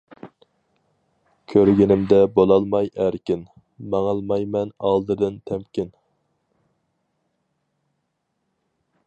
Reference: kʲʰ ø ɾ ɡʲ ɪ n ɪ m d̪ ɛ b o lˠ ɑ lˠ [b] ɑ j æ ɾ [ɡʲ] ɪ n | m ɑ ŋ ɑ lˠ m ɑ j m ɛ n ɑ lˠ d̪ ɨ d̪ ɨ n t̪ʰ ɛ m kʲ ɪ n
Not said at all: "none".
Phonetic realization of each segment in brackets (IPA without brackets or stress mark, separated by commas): m, kʲ